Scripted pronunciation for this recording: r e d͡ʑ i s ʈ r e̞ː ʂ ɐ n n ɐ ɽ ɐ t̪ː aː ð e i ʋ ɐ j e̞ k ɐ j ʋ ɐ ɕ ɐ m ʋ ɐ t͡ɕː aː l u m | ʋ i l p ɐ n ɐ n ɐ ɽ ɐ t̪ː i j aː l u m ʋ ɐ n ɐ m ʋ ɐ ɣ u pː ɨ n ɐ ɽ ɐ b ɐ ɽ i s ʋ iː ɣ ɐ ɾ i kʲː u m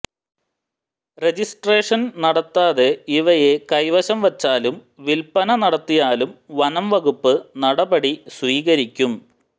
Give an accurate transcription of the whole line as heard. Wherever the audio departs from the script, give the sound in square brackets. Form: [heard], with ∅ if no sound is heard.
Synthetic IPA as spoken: r e d͡ʑ i s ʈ r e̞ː ʂ ɐ n n ɐ ɽ ɐ t̪ː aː ð e i ʋ ɐ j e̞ k ɐ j ʋ ɐ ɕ ɐ m ʋ ɐ t͡ɕː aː l u m | ʋ i l p ɐ n ɐ n ɐ ɽ ɐ t̪ː i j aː l u m ʋ ɐ n ɐ m ʋ ɐ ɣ u pː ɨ n ɐ ɽ ɐ b ɐ ɽ i s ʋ iː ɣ ɐ ɾ i kʲː u m